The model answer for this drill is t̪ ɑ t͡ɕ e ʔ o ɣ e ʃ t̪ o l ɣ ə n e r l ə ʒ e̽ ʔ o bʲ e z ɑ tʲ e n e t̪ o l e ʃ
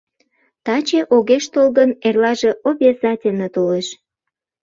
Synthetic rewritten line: t̪ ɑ t͡ɕ e ʔ o ɣ e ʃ t̪ o l ɣ ə n e r l ɑ ʒ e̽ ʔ o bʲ e z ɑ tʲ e n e t̪ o l e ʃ